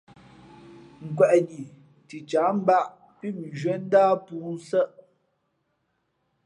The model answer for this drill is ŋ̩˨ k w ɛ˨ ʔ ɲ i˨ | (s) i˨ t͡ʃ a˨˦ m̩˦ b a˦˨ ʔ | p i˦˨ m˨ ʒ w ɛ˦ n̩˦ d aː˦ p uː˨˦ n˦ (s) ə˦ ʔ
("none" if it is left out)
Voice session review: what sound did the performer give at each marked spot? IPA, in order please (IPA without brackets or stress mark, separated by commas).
t, s